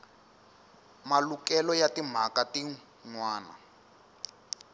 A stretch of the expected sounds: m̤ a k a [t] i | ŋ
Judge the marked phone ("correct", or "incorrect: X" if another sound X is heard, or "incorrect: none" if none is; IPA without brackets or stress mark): correct